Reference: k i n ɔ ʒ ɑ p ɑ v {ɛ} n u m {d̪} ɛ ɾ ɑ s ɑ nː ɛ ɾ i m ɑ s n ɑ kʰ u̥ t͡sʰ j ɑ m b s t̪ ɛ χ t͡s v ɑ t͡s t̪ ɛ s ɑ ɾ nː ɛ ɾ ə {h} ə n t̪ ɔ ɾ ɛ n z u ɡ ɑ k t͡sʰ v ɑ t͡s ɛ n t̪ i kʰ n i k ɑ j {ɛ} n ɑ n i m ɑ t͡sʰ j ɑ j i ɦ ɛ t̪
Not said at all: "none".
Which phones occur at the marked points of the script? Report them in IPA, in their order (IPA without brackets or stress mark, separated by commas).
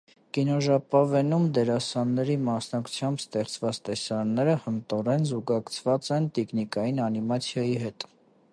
ɛ, d̪, h, i